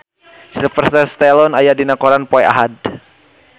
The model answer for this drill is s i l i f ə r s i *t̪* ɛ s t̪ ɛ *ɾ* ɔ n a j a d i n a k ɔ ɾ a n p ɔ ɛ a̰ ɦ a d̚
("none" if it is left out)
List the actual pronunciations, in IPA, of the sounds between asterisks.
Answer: t̪, l

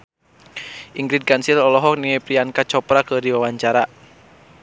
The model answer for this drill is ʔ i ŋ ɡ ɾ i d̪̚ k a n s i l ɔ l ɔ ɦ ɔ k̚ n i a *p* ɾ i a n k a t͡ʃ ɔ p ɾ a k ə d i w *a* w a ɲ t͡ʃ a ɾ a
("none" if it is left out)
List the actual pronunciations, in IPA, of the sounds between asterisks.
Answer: p, a

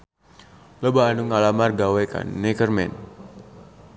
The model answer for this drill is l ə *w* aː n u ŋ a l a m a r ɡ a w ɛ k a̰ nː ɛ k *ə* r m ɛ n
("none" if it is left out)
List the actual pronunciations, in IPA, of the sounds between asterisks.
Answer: b, ə

